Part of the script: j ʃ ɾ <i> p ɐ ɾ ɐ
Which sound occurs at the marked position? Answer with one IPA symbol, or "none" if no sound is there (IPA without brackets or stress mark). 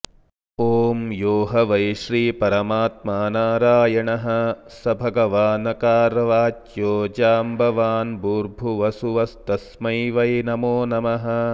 iː